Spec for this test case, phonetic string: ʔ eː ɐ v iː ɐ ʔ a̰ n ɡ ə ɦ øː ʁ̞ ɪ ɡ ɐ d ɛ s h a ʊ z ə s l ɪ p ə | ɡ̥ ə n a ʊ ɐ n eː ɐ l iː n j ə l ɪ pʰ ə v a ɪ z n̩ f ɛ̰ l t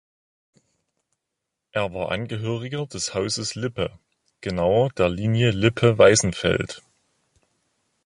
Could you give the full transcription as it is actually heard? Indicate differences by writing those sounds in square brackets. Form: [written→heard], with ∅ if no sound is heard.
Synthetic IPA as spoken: ʔ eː ɐ v [iː→aː] ɐ ʔ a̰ n ɡ ə ɦ øː ʁ̞ ɪ ɡ ɐ d ɛ s h a ʊ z ə s l ɪ p ə | ɡ̥ ə n a ʊ ɐ [n→d] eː ɐ l iː n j ə l ɪ pʰ ə v a ɪ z n̩ f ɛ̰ l t